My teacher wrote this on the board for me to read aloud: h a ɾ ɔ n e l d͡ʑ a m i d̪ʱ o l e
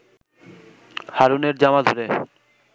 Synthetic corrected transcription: h a ɾ u n e ɾ d͡ʑ a m a d̪ʱ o ɾ e